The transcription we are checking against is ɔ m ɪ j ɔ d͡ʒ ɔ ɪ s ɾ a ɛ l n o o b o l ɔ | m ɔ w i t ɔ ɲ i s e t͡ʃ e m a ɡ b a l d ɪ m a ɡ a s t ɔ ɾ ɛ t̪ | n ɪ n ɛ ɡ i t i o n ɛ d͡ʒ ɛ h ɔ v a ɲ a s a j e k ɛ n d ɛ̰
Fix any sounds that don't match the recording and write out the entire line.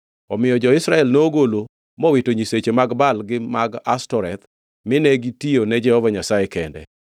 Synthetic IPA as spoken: ɔ m ɪ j ɔ d͡ʒ ɔ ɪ s ɾ a ɛ l n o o ɡ o l o | m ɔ w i t o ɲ i s e t͡ʃ e m a ɡ b a l ɡ ɪ m a ɡ a s t ɔ ɾ ɛ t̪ | m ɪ n ɛ ɡ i t i o n ɛ d͡ʒ ɛ h ɔ v a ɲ a s a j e k ɛ n d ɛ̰